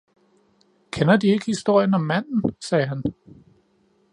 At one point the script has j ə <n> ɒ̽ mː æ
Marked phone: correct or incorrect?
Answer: correct